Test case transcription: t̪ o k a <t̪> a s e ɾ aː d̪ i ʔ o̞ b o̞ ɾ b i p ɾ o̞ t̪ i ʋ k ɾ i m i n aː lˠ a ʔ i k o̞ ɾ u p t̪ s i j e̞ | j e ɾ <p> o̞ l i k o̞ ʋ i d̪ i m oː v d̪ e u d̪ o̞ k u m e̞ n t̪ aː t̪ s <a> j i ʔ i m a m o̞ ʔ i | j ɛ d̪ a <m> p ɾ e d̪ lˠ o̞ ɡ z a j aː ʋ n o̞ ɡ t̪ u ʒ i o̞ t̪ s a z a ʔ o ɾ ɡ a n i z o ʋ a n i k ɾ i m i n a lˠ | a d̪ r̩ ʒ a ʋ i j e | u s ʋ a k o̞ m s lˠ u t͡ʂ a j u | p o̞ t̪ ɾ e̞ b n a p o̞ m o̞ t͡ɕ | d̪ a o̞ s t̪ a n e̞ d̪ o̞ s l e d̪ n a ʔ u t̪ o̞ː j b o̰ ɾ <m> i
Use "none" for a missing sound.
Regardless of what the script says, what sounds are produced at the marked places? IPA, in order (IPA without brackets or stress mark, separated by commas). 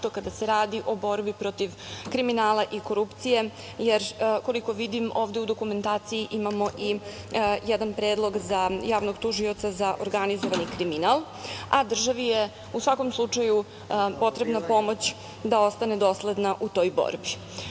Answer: d̪, k, i, n, b